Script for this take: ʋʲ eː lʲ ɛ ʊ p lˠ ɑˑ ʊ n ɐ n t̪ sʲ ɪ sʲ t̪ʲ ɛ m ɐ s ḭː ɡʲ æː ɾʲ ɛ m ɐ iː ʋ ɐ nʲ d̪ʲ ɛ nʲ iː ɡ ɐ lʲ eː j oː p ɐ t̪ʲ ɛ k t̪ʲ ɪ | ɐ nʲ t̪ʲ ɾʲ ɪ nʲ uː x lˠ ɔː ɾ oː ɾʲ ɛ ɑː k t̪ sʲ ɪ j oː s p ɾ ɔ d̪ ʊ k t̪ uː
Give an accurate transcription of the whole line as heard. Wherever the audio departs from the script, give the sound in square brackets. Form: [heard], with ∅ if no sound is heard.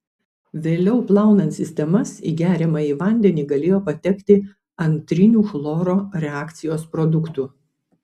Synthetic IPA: ʋʲ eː lʲ ɛ ʊ p lˠ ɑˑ ʊ n ɐ n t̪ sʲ ɪ sʲ t̪ʲ ɛ m ɐ s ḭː ɡʲ æː ɾʲ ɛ m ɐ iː ʋ ɐ nʲ d̪ʲ ɛ nʲ iː ɡ ɐ lʲ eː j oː p ɐ t̪ʲ ɛ k t̪ʲ ɪ | ɐ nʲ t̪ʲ ɾʲ ɪ nʲ uː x lˠ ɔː ɾ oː ɾʲ ɛ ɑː k t̪ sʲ ɪ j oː s p ɾ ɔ d̪ ʊ k t̪ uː

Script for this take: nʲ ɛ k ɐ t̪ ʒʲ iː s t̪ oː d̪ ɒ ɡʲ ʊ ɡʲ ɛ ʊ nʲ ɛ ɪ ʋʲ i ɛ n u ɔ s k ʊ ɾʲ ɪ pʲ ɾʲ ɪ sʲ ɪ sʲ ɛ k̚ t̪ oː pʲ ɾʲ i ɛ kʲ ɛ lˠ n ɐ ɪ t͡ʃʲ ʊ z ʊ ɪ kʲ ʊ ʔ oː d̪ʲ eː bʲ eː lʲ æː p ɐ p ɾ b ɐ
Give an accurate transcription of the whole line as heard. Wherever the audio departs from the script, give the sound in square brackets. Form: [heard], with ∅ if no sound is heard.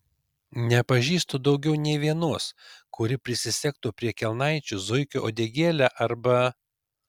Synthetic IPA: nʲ ɛ [p] ɐ [∅] ʒʲ iː s t̪ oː d̪ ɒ [∅] ʊ ɡʲ ɛ ʊ nʲ ɛ ɪ ʋʲ i ɛ n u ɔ s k ʊ ɾʲ ɪ pʲ ɾʲ ɪ sʲ ɪ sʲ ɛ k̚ t̪ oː pʲ ɾʲ i ɛ kʲ ɛ lˠ n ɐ ɪ t͡ʃʲ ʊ z ʊ ɪ kʲ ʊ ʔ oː d̪ʲ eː [ɡʲ] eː lʲ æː [ʔ] ɐ [∅] ɾ b ɐ

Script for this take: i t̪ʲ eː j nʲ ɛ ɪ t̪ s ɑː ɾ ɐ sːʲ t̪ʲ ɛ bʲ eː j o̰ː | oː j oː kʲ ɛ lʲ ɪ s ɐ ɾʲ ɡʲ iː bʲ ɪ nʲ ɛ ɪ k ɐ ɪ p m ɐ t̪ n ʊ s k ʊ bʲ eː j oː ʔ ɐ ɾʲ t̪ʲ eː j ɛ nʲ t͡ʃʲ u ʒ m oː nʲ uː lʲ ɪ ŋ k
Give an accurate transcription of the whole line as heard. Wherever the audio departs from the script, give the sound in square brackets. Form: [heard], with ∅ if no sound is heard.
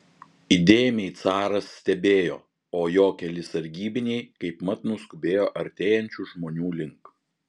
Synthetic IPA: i [d̪ʲ] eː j [mʲ] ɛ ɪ t̪ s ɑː ɾ ɐ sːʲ t̪ʲ ɛ bʲ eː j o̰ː | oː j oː kʲ ɛ lʲ ɪ s ɐ ɾʲ ɡʲ iː bʲ ɪ nʲ ɛ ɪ k ɐ ɪ p m ɐ t̪ n ʊ s k ʊ bʲ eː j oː ʔ ɐ ɾʲ t̪ʲ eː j ɛ nʲ t͡ʃʲ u ʒ m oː nʲ uː lʲ ɪ ŋ k

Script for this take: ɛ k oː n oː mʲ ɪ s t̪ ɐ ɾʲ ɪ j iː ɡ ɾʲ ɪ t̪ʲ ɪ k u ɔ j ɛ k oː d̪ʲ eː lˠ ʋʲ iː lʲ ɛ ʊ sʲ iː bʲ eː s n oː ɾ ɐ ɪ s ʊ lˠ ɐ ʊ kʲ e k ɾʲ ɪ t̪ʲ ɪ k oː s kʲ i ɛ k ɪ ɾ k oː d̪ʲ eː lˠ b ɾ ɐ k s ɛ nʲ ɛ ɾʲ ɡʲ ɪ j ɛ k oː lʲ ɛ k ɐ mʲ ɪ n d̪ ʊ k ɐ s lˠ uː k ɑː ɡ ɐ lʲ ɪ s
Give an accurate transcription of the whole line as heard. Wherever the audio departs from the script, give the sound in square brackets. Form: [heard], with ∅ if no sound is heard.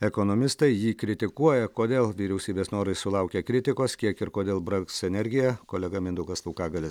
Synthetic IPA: ɛ k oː n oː mʲ ɪ s t̪ ɐ [∅] ɪ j iː [k] ɾʲ ɪ t̪ʲ ɪ k u ɔ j ɛ k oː d̪ʲ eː lˠ ʋʲ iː [ɾʲ] ɛ ʊ sʲ iː bʲ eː s n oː ɾ ɐ ɪ s ʊ lˠ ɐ ʊ kʲ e k ɾʲ ɪ t̪ʲ ɪ k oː s kʲ i ɛ k ɪ ɾ k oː d̪ʲ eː lˠ b ɾ ɐ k s ɛ nʲ ɛ ɾʲ ɡʲ ɪ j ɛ k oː lʲ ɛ [ɡ] ɐ mʲ ɪ n d̪ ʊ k ɐ s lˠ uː k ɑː ɡ ɐ lʲ ɪ s

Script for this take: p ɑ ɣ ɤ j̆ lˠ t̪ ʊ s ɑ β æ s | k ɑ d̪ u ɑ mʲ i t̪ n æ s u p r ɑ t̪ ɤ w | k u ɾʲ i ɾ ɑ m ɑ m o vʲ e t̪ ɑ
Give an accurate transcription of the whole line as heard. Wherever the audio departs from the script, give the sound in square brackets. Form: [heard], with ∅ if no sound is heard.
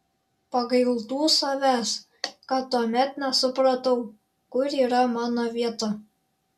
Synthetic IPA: p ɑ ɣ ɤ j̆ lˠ t̪ [u] s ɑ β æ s | k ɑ [t̪] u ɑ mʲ [æ] t̪ n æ s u p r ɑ t̪ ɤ w | k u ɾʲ i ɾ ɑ m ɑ [n] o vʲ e t̪ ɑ

